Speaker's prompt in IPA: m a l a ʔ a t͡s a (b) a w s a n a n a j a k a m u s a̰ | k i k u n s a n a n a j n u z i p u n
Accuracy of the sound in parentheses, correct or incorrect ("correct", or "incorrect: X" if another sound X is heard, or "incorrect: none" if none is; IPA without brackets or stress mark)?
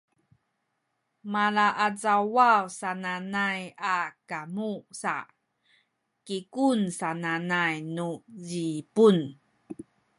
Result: incorrect: w